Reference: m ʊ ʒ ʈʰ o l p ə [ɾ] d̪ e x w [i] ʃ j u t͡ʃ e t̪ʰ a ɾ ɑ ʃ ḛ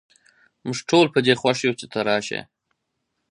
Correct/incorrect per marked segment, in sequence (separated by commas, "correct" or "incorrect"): incorrect, incorrect